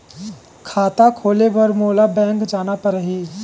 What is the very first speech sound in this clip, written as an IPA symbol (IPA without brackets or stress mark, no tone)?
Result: kʰ